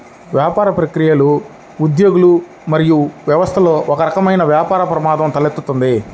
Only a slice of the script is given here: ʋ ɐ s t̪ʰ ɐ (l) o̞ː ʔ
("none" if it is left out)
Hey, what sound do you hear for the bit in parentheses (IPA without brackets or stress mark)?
l